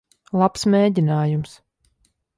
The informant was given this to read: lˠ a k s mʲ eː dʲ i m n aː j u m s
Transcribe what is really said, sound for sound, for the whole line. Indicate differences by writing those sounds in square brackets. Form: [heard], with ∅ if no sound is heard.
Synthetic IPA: lˠ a [p] s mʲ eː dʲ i [∅] n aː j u m s